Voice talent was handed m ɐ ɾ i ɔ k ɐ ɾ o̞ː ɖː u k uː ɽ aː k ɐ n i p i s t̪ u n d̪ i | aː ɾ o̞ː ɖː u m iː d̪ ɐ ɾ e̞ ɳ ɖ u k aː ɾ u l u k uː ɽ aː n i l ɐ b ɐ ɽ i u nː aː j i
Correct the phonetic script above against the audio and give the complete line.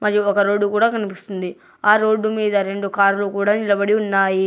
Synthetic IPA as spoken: m ɐ ɾ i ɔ k ɐ ɾ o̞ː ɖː u k uː ɽ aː k ɐ n i p i s t̪ u n d̪ i | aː ɾ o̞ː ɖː u m iː d̪ ɐ ɾ e̞ ɳ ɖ u k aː ɾ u l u k uː ɽ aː n i l ɐ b ɐ ɽ i u nː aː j i